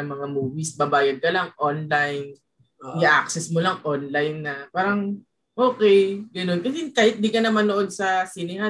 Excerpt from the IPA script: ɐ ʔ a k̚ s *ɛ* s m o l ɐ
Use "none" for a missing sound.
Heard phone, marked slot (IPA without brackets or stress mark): ɛ